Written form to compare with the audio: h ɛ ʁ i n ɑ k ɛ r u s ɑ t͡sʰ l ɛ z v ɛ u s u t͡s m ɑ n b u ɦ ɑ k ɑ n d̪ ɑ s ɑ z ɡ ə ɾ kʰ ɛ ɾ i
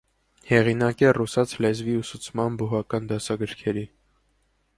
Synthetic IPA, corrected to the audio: h ɛ ʁ i n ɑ k ɛ r u s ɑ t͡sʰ l ɛ z v i u s u t͡sʰ m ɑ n b u ɦ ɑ k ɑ n d̪ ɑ s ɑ ɡ ə ɾ kʰ ɛ ɾ i